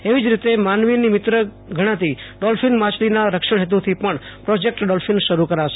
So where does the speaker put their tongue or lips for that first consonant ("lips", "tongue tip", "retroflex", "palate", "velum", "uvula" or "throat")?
lips